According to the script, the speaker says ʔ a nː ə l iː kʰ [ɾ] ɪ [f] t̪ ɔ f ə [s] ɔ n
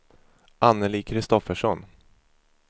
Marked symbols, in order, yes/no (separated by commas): yes, no, no